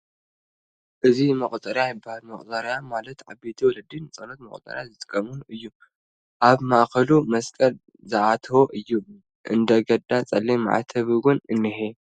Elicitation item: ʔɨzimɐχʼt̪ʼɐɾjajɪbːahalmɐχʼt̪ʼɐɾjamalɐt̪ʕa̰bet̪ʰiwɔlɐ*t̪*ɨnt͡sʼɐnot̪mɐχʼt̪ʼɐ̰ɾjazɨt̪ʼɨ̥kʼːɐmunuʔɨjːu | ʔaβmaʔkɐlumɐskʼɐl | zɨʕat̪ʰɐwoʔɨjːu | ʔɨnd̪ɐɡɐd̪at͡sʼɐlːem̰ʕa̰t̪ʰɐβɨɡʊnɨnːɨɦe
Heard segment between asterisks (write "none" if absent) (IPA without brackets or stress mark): d̪